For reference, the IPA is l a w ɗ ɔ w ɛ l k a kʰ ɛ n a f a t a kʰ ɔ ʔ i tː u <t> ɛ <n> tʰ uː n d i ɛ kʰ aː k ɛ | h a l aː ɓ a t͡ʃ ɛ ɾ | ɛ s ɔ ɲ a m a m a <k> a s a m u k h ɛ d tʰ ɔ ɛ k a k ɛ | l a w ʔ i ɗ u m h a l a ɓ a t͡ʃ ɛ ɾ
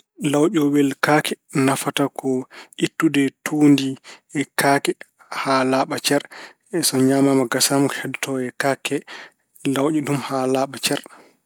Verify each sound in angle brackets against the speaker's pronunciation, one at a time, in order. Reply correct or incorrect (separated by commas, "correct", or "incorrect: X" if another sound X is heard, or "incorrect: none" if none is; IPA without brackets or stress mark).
incorrect: d, incorrect: none, incorrect: ɡ